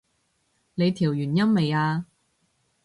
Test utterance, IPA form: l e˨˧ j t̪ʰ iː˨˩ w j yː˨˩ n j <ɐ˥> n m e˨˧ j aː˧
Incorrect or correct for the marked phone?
correct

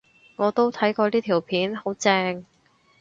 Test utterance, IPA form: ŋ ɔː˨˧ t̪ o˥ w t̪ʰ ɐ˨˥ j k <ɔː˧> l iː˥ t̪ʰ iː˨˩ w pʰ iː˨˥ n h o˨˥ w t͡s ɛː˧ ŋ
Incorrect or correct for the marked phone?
correct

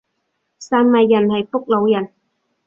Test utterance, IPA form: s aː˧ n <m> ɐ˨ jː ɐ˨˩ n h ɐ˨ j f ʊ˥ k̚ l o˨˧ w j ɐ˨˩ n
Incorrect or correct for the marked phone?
correct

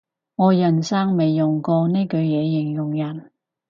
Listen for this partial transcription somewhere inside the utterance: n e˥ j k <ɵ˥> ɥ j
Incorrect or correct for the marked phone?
incorrect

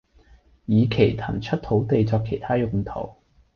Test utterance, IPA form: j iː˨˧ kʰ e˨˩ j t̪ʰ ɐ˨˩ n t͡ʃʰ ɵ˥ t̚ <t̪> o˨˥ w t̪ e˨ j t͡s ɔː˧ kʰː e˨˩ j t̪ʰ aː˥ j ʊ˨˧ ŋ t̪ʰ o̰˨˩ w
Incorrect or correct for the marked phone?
incorrect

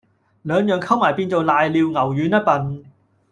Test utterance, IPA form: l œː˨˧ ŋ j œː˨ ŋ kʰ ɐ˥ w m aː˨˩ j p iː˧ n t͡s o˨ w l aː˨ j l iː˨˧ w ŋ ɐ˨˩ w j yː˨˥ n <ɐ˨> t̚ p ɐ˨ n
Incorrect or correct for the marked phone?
incorrect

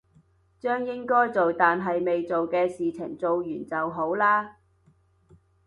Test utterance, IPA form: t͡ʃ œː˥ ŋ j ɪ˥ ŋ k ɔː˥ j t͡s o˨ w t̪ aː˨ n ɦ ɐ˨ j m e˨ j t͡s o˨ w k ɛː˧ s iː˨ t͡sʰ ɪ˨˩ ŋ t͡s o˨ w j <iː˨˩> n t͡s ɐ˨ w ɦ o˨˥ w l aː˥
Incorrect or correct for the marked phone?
incorrect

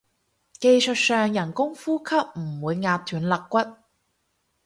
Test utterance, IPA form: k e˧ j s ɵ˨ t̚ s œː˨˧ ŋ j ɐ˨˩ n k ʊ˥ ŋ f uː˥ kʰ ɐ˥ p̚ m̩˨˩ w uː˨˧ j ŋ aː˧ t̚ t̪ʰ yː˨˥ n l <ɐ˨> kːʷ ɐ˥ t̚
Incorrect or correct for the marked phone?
correct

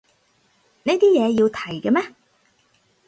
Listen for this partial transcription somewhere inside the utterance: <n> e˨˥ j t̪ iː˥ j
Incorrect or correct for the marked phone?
correct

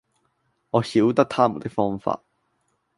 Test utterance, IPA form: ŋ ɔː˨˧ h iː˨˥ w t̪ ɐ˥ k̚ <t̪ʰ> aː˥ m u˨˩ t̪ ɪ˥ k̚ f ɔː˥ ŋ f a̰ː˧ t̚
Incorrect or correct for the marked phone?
correct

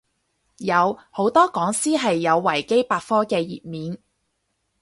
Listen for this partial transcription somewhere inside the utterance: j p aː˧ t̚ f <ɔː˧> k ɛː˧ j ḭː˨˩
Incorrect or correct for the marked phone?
incorrect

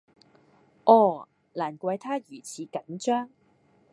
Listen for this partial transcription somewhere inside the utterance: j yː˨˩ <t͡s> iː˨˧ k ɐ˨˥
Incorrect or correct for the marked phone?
incorrect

